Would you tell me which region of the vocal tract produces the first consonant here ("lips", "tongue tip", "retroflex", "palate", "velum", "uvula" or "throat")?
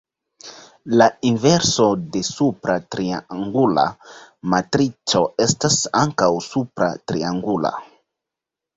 tongue tip